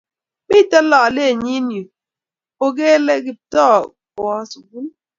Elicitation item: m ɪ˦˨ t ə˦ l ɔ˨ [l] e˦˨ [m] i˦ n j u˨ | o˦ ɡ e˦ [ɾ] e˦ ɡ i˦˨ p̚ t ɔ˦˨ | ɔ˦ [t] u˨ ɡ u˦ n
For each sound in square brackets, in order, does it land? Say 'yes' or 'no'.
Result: yes, no, no, no

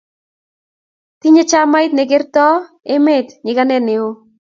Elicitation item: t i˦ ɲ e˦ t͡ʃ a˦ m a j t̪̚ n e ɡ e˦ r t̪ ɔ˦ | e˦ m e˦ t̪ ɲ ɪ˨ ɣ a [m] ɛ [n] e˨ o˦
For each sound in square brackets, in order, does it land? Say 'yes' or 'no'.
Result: no, yes

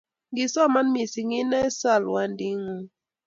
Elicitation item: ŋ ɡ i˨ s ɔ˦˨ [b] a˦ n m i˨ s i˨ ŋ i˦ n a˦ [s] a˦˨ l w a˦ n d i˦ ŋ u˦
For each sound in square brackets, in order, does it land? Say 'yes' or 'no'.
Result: no, yes

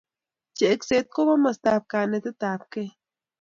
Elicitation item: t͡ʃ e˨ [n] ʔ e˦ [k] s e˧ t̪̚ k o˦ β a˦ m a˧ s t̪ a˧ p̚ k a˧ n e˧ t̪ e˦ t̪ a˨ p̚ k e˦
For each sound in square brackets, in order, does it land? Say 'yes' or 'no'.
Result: no, yes

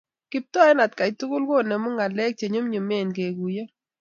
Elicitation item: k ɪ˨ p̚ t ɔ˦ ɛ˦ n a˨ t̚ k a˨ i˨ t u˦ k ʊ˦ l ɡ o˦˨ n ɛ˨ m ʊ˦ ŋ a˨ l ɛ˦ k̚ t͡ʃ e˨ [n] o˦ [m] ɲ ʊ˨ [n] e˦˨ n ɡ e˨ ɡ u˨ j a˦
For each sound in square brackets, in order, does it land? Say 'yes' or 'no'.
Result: no, yes, no

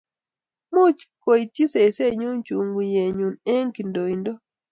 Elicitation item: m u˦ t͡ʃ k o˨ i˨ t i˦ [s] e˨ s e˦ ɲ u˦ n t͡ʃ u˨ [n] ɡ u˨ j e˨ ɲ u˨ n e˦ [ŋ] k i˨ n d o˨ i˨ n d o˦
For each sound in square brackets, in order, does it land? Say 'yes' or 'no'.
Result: yes, no, yes

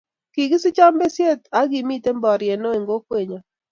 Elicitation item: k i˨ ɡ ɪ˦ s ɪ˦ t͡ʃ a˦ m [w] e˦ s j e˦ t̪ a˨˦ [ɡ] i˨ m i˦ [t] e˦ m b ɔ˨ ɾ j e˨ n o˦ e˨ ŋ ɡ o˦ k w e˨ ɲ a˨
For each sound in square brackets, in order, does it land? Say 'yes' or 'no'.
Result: no, yes, yes

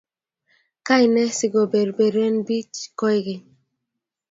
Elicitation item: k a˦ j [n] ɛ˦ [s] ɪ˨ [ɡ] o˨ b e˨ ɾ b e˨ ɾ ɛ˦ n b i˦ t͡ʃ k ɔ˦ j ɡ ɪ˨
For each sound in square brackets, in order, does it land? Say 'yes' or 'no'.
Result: yes, yes, yes

